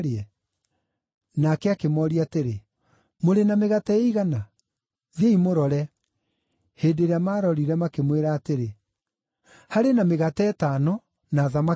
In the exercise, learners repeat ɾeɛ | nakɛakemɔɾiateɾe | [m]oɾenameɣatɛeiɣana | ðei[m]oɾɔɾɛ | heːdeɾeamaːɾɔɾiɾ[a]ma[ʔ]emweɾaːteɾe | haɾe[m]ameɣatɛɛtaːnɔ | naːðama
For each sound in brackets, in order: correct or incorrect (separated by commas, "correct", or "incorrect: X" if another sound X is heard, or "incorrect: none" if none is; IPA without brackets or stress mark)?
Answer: correct, correct, incorrect: ɛ, incorrect: k, incorrect: n